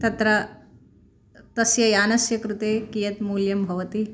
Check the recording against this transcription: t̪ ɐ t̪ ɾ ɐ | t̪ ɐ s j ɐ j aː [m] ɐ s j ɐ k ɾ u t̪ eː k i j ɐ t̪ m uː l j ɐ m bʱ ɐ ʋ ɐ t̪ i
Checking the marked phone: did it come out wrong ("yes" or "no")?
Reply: yes